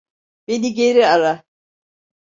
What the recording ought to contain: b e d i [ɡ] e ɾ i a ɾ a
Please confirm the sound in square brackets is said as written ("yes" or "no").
yes